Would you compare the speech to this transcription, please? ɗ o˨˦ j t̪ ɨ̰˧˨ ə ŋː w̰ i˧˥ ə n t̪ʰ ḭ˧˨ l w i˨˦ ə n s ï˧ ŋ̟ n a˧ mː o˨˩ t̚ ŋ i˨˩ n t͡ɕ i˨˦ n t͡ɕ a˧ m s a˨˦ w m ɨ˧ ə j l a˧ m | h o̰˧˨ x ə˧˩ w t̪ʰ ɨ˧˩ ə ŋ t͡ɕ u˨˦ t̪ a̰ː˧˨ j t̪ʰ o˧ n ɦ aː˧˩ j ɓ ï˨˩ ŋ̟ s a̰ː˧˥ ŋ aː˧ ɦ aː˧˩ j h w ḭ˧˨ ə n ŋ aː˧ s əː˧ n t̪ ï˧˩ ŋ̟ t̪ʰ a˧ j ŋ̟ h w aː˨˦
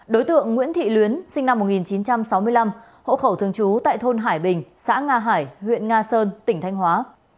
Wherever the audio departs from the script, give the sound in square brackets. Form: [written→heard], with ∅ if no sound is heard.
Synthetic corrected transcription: ɗ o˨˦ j t̪ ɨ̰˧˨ ə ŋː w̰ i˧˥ ə n t̪ʰ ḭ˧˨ l w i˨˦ ə n s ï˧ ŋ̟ n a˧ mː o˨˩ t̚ ŋ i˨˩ n t͡ɕ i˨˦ n t͡ɕ a˧ m s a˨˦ w m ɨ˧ ə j l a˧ m | h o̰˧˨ x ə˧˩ w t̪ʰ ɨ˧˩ ə ŋ t͡ɕ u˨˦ t̪ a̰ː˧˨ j t̪ʰ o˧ n ɦ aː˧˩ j ɓ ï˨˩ ŋ̟ s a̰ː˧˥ ŋ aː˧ ɦ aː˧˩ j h w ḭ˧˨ ə n ŋ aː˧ s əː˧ n t̪ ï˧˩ ŋ̟ t̪ʰ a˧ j ŋ̟ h w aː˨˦